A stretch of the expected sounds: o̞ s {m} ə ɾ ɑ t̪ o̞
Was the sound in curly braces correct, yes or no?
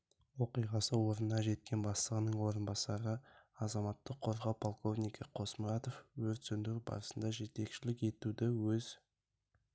yes